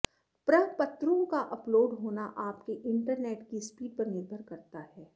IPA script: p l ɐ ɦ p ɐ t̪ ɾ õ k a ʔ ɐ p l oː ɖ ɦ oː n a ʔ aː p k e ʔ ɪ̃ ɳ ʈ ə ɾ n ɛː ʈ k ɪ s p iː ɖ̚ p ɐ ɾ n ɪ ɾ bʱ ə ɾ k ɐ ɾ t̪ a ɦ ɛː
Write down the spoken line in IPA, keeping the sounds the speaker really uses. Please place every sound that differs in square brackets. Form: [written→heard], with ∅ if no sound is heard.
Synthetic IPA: p [l→ɾ] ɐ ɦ p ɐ t̪ ɾ õ k a ʔ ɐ p l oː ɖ ɦ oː n a ʔ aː p k e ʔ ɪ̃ ɳ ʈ ə ɾ n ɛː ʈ k [ɪ→i] s p iː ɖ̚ p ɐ ɾ n ɪ ɾ bʱ ə ɾ k ɐ ɾ t̪ a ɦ ɛː